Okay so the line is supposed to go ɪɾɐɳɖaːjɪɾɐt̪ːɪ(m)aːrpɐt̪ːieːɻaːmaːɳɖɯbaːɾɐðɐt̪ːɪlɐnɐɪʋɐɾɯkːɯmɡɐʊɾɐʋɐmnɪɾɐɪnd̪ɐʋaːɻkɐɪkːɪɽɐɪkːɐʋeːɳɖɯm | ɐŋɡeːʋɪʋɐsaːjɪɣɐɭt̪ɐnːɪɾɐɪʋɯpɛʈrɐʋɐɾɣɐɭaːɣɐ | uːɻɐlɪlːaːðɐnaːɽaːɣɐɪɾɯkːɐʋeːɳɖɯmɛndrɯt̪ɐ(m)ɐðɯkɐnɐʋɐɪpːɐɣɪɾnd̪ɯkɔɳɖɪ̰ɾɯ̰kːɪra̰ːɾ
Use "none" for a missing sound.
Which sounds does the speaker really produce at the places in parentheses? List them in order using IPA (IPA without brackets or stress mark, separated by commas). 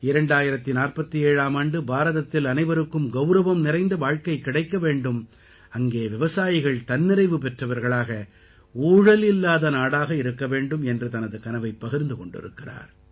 n, n